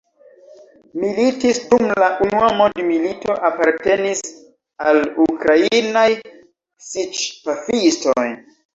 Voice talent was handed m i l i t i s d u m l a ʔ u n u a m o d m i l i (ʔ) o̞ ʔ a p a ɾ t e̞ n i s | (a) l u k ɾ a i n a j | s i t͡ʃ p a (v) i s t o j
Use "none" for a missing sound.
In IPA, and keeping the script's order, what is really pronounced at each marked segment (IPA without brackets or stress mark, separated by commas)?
t, a, f